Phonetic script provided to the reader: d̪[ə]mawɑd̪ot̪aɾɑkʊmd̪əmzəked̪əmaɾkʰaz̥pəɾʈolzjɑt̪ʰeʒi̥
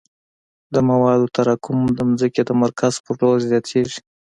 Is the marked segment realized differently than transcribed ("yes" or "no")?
no